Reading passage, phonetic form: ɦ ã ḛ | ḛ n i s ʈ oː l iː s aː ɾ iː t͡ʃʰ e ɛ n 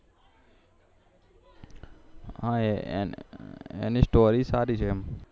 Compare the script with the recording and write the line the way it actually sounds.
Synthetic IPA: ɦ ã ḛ | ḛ n i s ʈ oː ɾ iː s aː ɾ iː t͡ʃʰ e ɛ m